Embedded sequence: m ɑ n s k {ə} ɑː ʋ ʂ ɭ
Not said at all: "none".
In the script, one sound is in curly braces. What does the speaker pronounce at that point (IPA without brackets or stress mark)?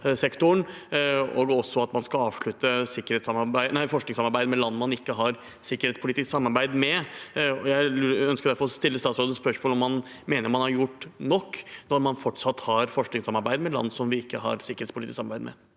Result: ɑ